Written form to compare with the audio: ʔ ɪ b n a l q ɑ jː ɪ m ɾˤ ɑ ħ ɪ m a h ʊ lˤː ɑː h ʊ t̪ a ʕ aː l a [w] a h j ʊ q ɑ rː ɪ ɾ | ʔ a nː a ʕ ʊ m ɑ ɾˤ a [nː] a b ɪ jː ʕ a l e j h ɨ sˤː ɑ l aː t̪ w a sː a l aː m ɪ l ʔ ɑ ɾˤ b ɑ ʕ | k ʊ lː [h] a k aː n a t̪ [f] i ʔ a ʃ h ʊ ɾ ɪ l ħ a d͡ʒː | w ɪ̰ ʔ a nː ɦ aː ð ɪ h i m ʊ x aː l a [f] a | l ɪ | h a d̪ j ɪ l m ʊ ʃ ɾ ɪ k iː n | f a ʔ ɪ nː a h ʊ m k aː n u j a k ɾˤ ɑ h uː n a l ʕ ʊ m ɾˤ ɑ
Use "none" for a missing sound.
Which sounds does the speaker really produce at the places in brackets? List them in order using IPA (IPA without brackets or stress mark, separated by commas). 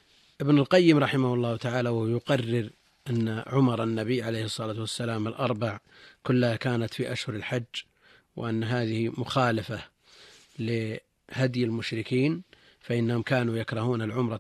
w, nː, h, f, f